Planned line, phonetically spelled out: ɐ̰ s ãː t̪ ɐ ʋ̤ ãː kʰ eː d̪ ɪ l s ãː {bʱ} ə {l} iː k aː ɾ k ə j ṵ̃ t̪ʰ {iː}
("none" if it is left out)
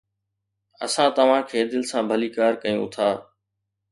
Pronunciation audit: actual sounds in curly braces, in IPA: bʱ, l, aː

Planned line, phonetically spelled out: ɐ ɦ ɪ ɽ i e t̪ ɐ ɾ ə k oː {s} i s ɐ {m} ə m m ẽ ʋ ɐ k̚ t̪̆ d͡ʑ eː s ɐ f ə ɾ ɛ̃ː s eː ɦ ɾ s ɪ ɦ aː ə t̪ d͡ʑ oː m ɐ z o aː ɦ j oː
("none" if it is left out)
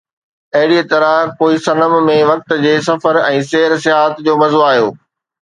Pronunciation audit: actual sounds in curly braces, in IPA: none, n

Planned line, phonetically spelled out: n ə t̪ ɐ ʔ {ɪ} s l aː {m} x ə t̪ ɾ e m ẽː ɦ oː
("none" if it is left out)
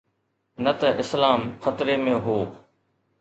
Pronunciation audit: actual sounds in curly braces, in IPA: ɪ, m

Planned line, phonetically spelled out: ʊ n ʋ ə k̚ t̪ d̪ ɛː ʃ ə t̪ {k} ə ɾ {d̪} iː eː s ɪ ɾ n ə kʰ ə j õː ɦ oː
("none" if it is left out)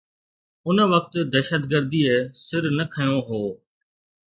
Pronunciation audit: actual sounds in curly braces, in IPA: ɡ, d̪

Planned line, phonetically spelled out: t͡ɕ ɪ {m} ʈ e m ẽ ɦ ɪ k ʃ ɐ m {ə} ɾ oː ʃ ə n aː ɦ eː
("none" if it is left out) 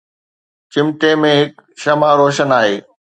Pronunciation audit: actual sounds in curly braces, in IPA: m, a

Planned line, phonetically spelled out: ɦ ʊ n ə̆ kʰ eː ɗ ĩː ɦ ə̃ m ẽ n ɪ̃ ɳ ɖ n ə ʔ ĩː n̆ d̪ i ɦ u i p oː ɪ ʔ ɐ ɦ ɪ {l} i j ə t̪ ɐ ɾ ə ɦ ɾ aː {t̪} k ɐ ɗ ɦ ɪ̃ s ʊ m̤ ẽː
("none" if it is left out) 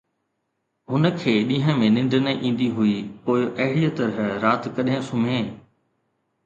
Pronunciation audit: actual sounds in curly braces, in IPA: ɽ, t̪

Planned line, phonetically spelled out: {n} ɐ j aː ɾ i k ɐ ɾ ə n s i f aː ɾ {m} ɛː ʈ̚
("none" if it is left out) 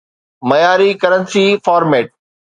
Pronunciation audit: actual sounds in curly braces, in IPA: m, m

